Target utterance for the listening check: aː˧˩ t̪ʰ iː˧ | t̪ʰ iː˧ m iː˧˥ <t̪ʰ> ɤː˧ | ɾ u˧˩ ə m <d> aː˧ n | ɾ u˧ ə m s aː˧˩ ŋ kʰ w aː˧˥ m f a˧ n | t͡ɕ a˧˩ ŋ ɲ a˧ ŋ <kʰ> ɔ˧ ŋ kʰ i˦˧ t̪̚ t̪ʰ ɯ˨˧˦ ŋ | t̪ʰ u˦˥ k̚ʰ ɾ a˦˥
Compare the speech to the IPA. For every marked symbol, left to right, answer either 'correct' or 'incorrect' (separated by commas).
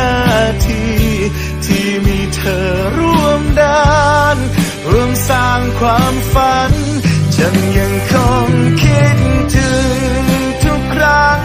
correct, correct, correct